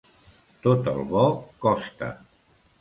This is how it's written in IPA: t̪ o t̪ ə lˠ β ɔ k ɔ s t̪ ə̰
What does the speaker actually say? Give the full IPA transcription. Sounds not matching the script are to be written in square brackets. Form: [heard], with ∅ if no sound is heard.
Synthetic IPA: t̪ o t̪ ə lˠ β ɔ k ɔ s t̪ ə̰